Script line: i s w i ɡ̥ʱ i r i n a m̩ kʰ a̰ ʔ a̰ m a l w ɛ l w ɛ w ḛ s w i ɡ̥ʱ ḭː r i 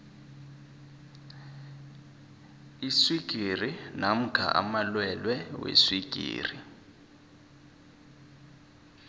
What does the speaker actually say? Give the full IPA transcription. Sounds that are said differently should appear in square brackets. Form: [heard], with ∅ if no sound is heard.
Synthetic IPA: i s w i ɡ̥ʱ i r i n a m̩ kʰ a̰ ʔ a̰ m a l w ɛ l w ɛ w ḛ s w i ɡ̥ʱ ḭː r i